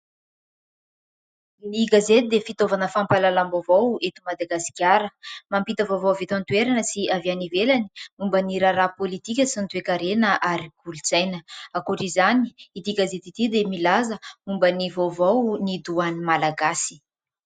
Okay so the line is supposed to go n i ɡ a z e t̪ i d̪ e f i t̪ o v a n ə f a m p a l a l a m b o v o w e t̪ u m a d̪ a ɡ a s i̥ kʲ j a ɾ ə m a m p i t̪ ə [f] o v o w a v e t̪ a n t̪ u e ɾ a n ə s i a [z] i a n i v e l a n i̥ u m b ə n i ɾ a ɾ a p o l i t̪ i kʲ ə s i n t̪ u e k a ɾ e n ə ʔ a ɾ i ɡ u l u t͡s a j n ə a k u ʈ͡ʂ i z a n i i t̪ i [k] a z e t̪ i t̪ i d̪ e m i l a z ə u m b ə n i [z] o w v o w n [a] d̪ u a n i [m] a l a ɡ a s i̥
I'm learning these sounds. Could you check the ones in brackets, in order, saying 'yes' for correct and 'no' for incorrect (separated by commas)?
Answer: no, no, no, no, no, yes